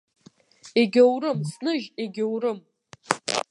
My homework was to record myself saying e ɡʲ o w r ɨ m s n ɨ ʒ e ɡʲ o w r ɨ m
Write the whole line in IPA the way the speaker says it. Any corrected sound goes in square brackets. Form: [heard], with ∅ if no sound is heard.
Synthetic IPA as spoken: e ɡʲ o w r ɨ m s n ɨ ʒ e ɡʲ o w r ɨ m